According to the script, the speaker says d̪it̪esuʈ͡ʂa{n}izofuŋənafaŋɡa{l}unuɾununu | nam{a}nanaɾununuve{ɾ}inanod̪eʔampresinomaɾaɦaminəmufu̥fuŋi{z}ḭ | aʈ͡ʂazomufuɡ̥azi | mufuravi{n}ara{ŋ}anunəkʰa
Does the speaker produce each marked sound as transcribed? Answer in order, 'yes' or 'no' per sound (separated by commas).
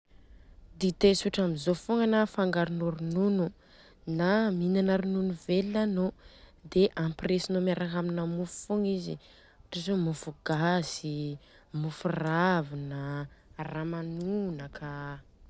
no, no, no, no, yes, yes, no